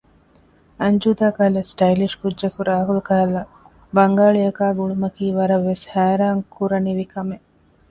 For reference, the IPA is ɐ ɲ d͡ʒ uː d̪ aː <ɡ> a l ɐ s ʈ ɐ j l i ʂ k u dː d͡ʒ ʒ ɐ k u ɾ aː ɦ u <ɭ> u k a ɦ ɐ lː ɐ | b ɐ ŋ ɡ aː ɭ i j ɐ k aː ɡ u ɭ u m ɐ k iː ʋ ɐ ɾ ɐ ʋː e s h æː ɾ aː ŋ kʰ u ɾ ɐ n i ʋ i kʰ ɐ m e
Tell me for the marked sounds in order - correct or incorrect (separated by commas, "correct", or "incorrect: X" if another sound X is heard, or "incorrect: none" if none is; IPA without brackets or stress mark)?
incorrect: k, incorrect: l